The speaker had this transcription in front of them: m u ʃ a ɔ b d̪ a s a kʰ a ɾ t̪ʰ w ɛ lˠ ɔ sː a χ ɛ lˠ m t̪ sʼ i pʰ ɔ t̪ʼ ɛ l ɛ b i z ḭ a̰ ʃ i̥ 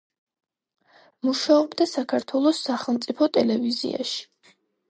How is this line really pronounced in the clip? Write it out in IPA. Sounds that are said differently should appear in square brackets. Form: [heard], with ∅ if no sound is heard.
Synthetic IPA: m u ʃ a ɔ b d̪ a s a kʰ a ɾ t̪ʰ w ɛ lˠ ɔ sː a χ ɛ lˠ m t̪ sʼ i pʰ ɔ t̪ʼ ɛ l ɛ [v] i z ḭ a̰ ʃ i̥